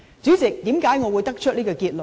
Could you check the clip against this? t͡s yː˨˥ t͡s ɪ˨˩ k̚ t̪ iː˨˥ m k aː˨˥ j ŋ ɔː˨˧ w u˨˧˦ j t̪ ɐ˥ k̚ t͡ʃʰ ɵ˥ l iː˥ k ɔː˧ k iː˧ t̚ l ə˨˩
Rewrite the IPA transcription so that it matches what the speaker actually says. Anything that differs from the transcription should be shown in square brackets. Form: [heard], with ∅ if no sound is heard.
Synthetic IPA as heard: t͡s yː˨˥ t͡s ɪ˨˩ k̚ t̪ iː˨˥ m k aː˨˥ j ŋ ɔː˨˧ w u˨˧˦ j t̪ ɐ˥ k̚ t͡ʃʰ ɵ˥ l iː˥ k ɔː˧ k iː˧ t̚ l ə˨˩